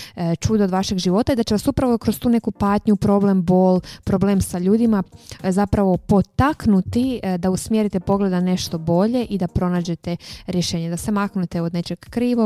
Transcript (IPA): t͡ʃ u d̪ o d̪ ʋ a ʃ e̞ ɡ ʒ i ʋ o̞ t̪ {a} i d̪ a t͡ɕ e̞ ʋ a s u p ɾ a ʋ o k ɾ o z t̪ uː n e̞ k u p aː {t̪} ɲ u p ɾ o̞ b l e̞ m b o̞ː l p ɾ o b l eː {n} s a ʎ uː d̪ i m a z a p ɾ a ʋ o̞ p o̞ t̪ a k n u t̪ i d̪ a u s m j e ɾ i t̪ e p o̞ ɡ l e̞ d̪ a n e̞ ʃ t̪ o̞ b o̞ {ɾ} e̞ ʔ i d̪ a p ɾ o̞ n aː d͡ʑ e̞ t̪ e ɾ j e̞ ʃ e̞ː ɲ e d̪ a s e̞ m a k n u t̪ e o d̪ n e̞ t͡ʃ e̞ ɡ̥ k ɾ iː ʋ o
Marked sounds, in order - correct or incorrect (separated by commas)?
correct, correct, incorrect, incorrect